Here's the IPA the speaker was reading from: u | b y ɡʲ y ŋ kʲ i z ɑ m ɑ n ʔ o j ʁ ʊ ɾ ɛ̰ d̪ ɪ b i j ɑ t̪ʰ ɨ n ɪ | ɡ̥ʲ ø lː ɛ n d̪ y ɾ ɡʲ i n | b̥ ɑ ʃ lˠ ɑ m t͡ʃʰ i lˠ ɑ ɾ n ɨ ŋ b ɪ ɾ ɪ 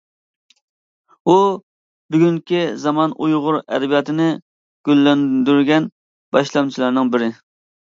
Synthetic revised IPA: u | b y ɡʲ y ŋ kʲ i z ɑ m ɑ n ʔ u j ʁ ʊ ɾ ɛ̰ d̪ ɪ b i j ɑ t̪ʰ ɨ n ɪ | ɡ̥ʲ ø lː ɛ n d̪ y ɾ ɡʲ ɛ n | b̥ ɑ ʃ lˠ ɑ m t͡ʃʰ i lˠ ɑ ɾ n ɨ ŋ b ɪ ɾ ɪ